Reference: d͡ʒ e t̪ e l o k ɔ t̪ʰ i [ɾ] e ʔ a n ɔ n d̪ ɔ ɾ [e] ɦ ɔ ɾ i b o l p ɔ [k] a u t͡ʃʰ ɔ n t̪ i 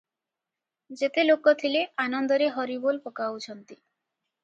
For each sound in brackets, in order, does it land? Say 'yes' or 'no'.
no, yes, yes

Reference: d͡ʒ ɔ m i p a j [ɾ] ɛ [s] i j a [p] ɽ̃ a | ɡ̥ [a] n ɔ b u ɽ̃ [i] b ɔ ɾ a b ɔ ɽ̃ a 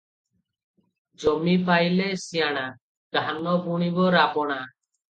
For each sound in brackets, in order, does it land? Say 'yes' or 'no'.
no, yes, no, yes, yes

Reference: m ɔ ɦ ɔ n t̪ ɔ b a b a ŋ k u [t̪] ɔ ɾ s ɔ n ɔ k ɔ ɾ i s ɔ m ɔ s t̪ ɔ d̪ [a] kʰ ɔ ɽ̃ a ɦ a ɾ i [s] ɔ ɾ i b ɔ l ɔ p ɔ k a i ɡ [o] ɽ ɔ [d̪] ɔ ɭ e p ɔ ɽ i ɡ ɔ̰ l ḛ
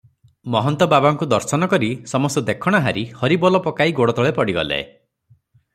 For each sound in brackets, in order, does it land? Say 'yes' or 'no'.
no, no, no, yes, no

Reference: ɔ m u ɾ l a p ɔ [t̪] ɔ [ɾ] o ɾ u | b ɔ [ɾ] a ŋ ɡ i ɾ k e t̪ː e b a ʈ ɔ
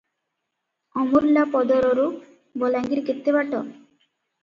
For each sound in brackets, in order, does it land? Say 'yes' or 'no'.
no, yes, no

